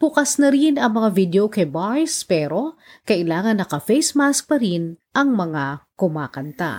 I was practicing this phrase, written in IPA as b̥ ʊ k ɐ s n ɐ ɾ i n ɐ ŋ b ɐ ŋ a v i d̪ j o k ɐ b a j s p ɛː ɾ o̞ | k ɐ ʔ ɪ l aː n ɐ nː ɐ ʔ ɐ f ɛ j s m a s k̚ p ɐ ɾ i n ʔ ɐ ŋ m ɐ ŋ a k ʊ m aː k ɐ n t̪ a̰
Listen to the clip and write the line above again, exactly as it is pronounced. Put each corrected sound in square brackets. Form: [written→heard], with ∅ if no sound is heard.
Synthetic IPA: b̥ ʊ k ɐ s n ɐ ɾ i n ɐ ŋ [b→m] ɐ ŋ a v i d̪ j o k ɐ b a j s p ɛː ɾ o̞ | k ɐ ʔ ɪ l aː [n→ŋ] ɐ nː ɐ [ʔ→k] ɐ f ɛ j s m a s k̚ p ɐ ɾ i n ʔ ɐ ŋ m ɐ ŋ a k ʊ m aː k ɐ n t̪ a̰